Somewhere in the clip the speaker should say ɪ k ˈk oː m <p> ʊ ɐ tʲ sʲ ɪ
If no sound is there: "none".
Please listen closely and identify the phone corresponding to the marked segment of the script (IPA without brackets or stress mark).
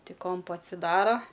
p